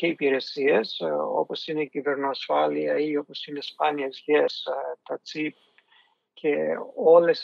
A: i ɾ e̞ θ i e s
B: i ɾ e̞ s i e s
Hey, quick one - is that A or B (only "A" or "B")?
B